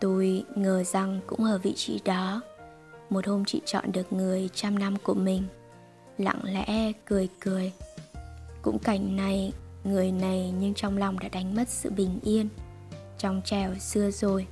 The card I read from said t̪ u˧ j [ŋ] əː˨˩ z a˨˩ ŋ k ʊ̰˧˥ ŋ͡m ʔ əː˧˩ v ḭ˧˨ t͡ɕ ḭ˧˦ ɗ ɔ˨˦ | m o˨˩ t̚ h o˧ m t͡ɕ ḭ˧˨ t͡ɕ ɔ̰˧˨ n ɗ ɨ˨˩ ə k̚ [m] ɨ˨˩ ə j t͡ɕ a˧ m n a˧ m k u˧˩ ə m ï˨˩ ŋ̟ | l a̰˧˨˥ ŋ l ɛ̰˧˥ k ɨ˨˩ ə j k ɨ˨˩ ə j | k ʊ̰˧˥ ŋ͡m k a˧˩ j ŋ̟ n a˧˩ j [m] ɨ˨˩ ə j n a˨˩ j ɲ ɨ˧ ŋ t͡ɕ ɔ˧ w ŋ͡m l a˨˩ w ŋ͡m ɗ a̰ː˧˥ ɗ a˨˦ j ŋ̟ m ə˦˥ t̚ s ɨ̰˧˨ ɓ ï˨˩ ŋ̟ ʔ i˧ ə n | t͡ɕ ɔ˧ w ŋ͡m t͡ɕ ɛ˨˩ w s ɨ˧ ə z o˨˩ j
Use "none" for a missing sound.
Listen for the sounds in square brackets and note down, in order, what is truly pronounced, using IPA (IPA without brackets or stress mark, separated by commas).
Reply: ŋ, ŋ, ŋ